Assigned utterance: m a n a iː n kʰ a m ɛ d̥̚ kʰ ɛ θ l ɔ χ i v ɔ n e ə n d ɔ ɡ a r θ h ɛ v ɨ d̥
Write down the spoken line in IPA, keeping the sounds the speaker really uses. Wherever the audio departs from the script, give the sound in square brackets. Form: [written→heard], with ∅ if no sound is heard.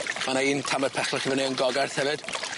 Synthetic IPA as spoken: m a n a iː n [kʰ→tʰ] a m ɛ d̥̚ [kʰ→pʰ] ɛ [θ→χ] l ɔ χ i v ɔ n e ə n [d→ɡ] ɔ ɡ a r θ h ɛ v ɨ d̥